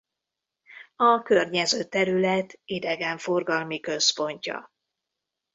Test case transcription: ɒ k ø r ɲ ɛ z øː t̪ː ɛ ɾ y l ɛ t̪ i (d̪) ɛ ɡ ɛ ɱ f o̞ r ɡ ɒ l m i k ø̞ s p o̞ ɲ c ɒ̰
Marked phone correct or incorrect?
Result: correct